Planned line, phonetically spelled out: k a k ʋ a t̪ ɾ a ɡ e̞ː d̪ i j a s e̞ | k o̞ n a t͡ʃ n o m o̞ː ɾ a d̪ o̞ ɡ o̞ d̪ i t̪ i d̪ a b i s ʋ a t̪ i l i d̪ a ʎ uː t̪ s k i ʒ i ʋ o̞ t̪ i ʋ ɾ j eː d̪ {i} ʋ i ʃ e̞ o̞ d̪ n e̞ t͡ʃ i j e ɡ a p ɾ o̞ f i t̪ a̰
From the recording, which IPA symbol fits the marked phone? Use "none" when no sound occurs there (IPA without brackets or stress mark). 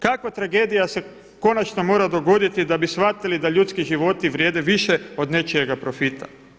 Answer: e